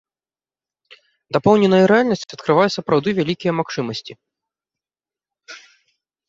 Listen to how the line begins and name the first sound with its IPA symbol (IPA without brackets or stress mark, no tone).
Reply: d̪